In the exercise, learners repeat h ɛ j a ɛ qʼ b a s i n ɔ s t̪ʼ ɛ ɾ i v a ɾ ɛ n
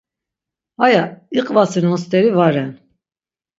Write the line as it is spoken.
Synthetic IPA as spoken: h a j a i qʼ v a s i n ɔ s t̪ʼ ɛ ɾ i v a ɾ ɛ n